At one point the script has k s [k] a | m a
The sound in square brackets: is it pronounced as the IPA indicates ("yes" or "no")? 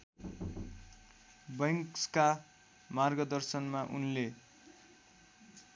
yes